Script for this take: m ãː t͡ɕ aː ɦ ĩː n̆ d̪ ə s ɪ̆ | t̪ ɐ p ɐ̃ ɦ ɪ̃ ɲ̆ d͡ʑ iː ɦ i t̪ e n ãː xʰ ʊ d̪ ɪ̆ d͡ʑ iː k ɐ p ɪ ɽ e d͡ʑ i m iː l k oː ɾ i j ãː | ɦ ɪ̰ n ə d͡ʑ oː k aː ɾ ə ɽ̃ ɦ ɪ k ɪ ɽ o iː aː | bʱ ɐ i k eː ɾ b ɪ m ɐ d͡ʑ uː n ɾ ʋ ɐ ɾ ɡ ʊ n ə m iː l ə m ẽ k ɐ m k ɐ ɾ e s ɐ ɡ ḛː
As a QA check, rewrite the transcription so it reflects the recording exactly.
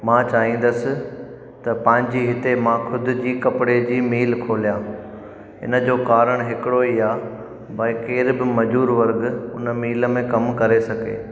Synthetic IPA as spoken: m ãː t͡ɕ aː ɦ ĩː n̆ d̪ ə s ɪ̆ | t̪ ɐ p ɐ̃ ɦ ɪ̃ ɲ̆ d͡ʑ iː ɦ ɪ t̪ e m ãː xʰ ʊ d̪ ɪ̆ d͡ʑ iː k ɐ p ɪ ɽ e d͡ʑ iː m iː l kʰ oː l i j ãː | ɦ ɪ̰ n ə d͡ʑ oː k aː ɾ ə ɽ̃ ɦ ɪ k ɪ ɽ o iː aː | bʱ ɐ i k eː ɾ b ɪ m ɐ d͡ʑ uː ɾ ʋ ɐ ɾ ɡ ʊ n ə m iː l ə m ẽ k ɐ m k ɐ ɾ e s ɐ ɡ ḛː